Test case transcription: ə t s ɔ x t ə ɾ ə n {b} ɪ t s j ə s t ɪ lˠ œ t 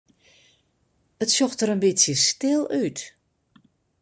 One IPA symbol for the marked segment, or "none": b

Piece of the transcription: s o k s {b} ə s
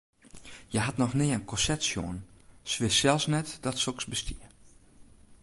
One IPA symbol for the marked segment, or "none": b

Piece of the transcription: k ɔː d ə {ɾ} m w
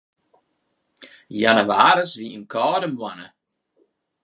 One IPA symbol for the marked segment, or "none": none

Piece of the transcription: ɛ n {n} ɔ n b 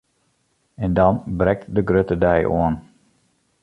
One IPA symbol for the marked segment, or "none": d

